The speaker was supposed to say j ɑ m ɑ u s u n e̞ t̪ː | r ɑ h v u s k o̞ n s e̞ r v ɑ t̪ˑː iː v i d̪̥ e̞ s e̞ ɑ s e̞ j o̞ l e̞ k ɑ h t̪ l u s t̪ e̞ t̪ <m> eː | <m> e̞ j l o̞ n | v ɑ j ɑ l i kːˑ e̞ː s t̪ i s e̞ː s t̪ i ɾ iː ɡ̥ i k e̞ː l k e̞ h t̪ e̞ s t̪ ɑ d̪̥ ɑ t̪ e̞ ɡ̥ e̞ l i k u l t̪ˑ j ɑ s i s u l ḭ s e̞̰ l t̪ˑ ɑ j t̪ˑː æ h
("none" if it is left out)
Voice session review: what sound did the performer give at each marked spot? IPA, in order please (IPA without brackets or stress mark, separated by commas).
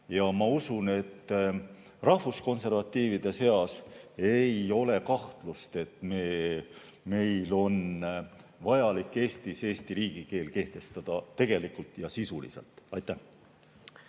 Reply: m, m